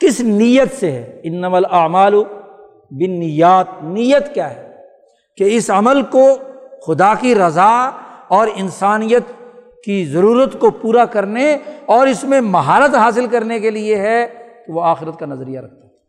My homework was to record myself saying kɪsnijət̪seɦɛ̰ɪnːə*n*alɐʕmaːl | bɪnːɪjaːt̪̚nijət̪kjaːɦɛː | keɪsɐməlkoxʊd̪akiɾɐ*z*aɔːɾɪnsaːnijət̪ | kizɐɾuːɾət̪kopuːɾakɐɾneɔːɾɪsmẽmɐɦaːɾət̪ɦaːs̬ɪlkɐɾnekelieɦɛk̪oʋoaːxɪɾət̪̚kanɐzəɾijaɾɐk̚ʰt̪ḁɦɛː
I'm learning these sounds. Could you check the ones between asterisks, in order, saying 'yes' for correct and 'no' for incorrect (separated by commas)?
no, yes